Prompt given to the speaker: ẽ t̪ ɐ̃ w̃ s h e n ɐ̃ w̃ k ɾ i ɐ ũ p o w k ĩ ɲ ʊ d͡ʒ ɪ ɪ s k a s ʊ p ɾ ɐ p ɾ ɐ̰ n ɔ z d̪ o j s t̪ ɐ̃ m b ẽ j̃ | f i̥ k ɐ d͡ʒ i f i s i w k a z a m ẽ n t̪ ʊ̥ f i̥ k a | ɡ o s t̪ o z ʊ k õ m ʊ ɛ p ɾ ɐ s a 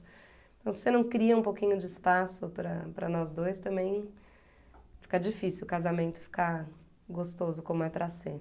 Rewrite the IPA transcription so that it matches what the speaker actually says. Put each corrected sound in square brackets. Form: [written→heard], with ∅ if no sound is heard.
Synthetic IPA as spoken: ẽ t̪ ɐ̃ w̃ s [h→s] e n ɐ̃ w̃ k ɾ i ɐ ũ p o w k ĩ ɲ ʊ d͡ʒ ɪ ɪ s [k→p] a s ʊ p ɾ ɐ p ɾ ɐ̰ n ɔ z d̪ o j s t̪ ɐ̃ m b ẽ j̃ | f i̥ k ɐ d͡ʒ i f i s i w k a z a m ẽ n t̪ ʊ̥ f i̥ k a | ɡ o s t̪ o z ʊ k õ m ʊ ɛ p ɾ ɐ s [a→e]

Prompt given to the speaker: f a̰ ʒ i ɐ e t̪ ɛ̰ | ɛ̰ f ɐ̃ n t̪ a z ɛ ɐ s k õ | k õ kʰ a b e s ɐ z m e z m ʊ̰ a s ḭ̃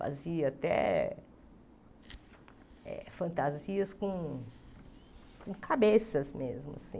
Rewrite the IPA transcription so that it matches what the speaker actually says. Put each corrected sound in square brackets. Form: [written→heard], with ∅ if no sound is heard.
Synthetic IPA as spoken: f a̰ [ʒ→z] i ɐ [e→a] t̪ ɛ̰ | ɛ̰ f ɐ̃ n t̪ a z [ɛ→i] ɐ s k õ | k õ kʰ a b e s ɐ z m e z m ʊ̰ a s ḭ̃

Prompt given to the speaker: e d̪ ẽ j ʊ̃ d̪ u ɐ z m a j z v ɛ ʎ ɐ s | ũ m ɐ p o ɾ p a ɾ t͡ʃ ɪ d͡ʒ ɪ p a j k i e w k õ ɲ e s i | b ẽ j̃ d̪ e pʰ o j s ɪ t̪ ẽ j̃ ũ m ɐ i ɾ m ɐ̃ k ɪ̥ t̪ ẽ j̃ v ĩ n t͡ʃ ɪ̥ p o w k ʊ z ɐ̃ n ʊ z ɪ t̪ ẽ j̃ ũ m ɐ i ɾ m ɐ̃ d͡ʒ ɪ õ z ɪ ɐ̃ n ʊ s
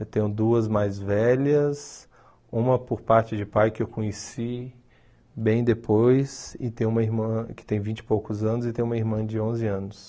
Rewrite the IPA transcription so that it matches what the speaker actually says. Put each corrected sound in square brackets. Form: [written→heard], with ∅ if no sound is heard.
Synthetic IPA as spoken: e [d̪→t̪] ẽ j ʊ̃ d̪ u ɐ z m a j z v ɛ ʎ ɐ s | ũ m ɐ p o ɾ p a ɾ t͡ʃ ɪ d͡ʒ ɪ p a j k [i→ɪ] e w k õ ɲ e s i | b ẽ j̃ d̪ e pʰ o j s ɪ t̪ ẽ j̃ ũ m ɐ i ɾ m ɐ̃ k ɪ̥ t̪ ẽ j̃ v ĩ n t͡ʃ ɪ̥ p o w k ʊ z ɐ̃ n ʊ z ɪ t̪ ẽ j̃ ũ m ɐ i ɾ m ɐ̃ d͡ʒ ɪ õ z ɪ ɐ̃ n ʊ s

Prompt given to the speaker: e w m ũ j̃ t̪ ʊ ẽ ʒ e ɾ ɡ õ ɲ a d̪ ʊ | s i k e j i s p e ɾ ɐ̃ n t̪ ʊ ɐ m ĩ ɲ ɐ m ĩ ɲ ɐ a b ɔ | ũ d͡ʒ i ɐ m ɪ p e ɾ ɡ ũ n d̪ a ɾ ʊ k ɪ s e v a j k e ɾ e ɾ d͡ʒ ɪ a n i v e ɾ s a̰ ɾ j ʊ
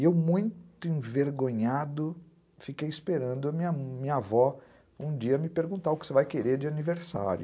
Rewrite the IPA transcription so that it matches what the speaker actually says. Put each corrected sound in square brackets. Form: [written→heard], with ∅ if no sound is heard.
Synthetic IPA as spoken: e w m ũ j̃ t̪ ʊ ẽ [ʒ→v] e ɾ ɡ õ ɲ a d̪ ʊ | [s→f] i k e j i s p e ɾ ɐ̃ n [t̪→d̪] ʊ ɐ m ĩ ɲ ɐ m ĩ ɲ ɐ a [b→v] ɔ | ũ d͡ʒ i ɐ m ɪ p e ɾ ɡ ũ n [d̪→t̪] a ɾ ʊ k ɪ s e v a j k e ɾ e ɾ d͡ʒ ɪ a n i v e ɾ s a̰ ɾ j ʊ

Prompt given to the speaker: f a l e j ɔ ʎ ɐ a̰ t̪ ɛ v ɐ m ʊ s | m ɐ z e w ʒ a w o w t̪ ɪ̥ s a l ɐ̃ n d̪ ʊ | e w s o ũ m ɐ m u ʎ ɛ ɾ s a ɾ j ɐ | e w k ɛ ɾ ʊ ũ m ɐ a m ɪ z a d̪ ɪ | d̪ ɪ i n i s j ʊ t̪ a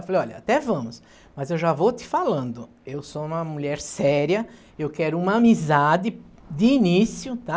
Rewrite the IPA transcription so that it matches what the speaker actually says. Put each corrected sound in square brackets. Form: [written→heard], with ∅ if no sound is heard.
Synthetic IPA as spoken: f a l e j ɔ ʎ ɐ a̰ t̪ ɛ v [ɐ→ɐ̃] m ʊ s | m ɐ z e w ʒ a [w→v] o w t̪ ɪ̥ [s→f] a l ɐ̃ n d̪ ʊ | e w s o ũ m ɐ m u ʎ ɛ ɾ s [a→ɛ] ɾ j ɐ | e w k ɛ ɾ ʊ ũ m ɐ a m [ɪ→i] z a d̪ ɪ | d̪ ɪ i n i s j ʊ t̪ a

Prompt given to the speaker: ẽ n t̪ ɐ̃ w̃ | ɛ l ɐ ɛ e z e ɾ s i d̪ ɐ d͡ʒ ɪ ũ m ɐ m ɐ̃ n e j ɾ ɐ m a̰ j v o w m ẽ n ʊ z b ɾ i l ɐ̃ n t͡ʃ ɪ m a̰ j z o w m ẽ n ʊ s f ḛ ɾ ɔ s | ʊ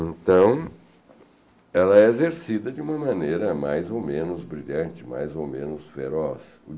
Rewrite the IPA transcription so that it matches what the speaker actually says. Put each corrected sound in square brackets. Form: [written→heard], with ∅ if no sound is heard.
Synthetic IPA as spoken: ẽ n t̪ ɐ̃ w̃ | ɛ l ɐ ɛ e z e ɾ s i d̪ ɐ d͡ʒ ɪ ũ m ɐ m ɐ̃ n e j ɾ ɐ m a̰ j [v→z] o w m ẽ n ʊ z b ɾ i [l→ʎ] ɐ̃ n t͡ʃ ɪ m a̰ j z o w m ẽ n ʊ s f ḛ ɾ ɔ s | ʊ

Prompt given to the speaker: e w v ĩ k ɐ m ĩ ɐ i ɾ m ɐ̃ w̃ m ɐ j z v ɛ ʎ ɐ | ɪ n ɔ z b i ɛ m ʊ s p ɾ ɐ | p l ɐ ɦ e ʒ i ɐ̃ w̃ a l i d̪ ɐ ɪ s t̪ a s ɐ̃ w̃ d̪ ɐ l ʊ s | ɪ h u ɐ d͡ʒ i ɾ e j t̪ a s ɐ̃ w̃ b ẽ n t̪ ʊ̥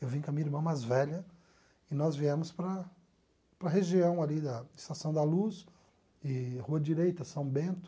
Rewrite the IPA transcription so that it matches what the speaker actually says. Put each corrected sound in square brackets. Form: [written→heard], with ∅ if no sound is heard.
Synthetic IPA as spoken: e w v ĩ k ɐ m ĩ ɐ i ɾ m ɐ̃ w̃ m [ɐ→a] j z v ɛ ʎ ɐ | ɪ n ɔ z [b→v] i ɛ m ʊ s p ɾ ɐ | p [l→ɾ] ɐ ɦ e ʒ i ɐ̃ w̃ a l i d̪ ɐ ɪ s t̪ a s ɐ̃ w̃ d̪ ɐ l [ʊ→u] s | ɪ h u ɐ d͡ʒ i ɾ e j t̪ [a→ɐ] s ɐ̃ w̃ b ẽ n t̪ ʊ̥

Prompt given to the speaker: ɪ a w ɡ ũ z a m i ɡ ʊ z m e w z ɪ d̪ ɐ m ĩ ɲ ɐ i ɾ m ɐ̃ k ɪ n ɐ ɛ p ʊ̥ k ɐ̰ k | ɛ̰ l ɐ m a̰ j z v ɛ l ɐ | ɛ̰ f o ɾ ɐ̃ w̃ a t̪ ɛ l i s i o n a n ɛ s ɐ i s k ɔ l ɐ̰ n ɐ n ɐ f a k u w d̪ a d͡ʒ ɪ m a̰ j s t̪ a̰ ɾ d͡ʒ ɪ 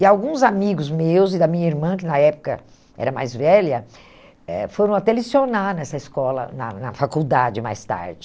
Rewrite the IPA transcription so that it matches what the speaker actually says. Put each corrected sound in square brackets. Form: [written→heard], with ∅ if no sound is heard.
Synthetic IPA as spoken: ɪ a w ɡ ũ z a m i ɡ ʊ z m e w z ɪ d̪ ɐ m ĩ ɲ ɐ i ɾ m ɐ̃ k ɪ n ɐ ɛ p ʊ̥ k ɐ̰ [k→∅] | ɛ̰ [l→ɾ] ɐ m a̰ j z v ɛ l ɐ | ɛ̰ f o ɾ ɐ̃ w̃ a t̪ ɛ l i s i o n a n ɛ s ɐ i s k ɔ l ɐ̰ n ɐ n ɐ f a k u w d̪ a d͡ʒ ɪ m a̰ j s t̪ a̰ ɾ d͡ʒ ɪ

